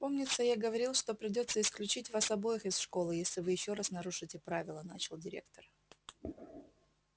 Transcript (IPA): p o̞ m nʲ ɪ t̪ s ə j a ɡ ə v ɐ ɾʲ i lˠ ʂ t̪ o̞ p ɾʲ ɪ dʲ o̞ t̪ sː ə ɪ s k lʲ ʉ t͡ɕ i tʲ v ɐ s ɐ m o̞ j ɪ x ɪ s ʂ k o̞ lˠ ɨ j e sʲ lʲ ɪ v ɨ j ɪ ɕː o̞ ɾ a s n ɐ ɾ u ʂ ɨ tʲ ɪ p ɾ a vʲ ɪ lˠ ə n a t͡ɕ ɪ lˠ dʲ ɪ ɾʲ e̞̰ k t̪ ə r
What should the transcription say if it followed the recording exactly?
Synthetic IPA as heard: p o̞ m nʲ ɪ t̪ s ə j a ɡ ə v ɐ ɾʲ i lˠ ʂ t̪ o̞ p ɾʲ ɪ dʲ o̞ t̪ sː ə ɪ s k lʲ ʉ t͡ɕ i tʲ v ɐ s ɐ b o̞ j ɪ x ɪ s ʂ k o̞ lˠ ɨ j e sʲ lʲ ɪ v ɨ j ɪ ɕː o̞ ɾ a s n ɐ ɾ u ʂ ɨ tʲ ɪ p ɾ a vʲ ɪ lˠ ə n a t͡ɕ ɪ lˠ dʲ ɪ ɾʲ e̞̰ k t̪ ə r